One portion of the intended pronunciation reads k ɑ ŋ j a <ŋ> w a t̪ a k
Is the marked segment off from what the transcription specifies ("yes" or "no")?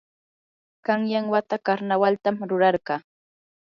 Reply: no